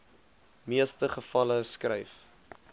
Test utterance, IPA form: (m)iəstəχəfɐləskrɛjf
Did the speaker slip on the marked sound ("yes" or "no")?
no